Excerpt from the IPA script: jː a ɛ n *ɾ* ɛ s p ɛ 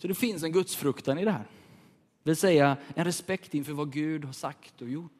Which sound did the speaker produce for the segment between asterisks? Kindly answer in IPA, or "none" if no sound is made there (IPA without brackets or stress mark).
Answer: ɾ